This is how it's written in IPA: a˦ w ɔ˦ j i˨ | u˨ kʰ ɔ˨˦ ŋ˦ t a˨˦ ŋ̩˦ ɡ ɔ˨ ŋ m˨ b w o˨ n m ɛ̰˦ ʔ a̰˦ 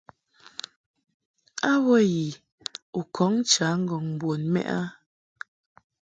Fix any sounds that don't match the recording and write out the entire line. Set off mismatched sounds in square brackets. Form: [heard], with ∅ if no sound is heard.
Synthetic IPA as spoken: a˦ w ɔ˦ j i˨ | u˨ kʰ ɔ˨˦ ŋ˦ [t͡ʃ] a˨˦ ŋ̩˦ ɡ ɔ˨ ŋ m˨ b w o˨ n m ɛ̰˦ ʔ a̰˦

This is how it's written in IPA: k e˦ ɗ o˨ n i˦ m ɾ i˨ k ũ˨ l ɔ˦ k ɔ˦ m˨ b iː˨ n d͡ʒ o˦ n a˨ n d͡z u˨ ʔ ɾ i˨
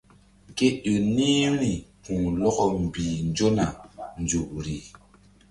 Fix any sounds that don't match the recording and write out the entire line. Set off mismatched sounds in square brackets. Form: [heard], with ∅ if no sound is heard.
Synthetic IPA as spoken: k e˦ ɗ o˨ n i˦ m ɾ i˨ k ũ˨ l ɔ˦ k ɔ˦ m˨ b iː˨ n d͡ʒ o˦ n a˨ n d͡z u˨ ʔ ɾ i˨

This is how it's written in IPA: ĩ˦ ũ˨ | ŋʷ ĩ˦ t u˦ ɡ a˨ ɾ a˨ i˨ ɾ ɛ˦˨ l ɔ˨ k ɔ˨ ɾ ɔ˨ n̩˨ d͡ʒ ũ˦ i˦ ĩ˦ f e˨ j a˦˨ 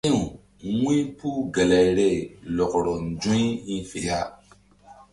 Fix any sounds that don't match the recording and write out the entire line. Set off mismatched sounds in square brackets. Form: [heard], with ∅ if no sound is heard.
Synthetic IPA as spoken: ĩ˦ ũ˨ | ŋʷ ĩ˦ [p] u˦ ɡ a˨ [l] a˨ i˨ ɾ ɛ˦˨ l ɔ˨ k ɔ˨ ɾ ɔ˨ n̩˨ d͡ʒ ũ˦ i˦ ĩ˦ f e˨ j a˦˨

